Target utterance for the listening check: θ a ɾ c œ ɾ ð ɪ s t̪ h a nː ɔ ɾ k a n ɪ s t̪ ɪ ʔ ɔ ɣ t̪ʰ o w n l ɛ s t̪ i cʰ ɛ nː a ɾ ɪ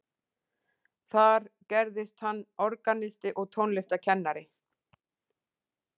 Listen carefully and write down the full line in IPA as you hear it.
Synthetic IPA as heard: θ a ɾ c ɛ ɾ ð ɪ s t̪ h a nː ɔ ɾ k a n ɪ s t̪ ɪ ʔ ɔ ɣ t̪ʰ o w n l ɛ s t̪ a cʰ ɛ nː a ɾ ɪ